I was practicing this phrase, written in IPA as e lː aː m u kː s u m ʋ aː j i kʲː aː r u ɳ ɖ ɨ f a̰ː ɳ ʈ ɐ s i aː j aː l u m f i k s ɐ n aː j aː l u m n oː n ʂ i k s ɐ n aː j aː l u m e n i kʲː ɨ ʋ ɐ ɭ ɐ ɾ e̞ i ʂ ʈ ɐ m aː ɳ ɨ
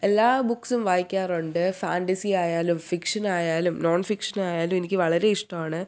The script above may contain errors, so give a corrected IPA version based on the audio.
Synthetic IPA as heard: e lː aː b u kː s u m ʋ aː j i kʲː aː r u ɳ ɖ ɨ f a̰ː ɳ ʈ ɐ s i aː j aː l u m f i k ʂ ɐ n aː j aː l u m n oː n f i k ʂ ɐ n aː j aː l u m e n i kʲː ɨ ʋ ɐ ɭ ɐ ɾ e̞ i ʂ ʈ ɐ m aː ɳ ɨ